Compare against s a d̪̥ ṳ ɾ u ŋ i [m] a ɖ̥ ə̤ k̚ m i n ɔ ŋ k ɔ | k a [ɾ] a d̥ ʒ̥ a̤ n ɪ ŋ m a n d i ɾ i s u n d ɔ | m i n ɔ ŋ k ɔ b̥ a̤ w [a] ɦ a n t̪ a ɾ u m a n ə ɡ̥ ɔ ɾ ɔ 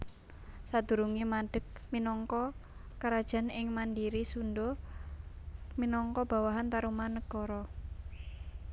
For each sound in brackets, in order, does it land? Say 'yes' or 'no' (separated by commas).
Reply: yes, yes, yes